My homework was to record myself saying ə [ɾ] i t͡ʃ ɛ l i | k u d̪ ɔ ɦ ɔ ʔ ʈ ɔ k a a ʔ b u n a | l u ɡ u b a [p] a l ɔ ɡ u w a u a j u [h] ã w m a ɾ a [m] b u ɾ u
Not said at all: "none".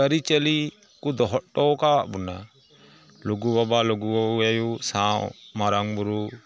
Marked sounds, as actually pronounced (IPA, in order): ɾ, b, s, ŋ

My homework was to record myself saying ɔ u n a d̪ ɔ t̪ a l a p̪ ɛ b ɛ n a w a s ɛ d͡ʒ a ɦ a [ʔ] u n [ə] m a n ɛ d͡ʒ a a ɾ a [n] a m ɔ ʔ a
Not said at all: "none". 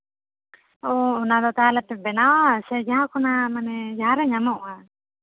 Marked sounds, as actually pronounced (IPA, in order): k, a, ɲ

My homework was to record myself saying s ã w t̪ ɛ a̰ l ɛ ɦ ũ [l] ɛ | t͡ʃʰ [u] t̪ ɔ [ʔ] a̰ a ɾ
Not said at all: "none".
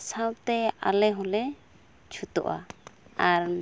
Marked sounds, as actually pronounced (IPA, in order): l, u, ʔ

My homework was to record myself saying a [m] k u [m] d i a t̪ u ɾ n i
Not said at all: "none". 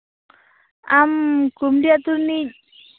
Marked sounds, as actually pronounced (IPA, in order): m, m

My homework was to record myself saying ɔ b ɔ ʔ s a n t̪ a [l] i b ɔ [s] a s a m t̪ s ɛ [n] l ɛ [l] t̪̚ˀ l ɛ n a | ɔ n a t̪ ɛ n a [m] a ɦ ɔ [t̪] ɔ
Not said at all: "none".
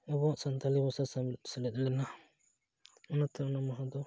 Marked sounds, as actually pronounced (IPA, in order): l, s, none, none, m, d̪

